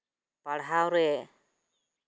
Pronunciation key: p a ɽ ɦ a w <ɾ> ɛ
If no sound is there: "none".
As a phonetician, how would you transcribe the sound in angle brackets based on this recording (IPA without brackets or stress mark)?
ɾ